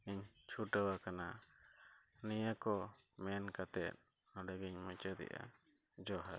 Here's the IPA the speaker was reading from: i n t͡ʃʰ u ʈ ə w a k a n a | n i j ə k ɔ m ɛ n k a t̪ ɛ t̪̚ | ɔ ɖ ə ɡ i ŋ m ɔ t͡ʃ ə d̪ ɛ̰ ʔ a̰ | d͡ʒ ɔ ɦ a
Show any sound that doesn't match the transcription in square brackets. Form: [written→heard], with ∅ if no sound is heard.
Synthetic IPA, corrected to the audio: i [n→ɲ] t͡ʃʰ u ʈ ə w a k a n a | n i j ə k ɔ m ɛ n k a t̪ ɛ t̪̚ | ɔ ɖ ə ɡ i [ŋ→ɲ] m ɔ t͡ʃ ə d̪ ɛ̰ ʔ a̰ | d͡ʒ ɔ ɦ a